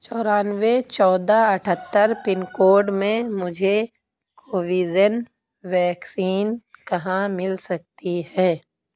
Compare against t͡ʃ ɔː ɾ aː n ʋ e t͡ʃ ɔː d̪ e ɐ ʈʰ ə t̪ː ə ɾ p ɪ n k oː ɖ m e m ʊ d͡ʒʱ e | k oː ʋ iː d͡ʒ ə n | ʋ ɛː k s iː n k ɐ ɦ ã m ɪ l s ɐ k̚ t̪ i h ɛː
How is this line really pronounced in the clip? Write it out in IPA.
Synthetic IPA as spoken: t͡ʃ ɔː ɾ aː n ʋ e t͡ʃ ɔː d̪ a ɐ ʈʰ ə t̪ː ə ɾ p ɪ n k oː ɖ m ẽ m ʊ d͡ʒʱ e | k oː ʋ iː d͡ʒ ə n | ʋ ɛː k s iː n k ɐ ɦ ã m ɪ l s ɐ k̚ t̪ i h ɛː